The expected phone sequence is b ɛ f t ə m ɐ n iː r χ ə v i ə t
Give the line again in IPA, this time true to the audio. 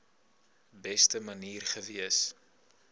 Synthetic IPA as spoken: b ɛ s t ə m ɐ n iː r χ ə v i ə s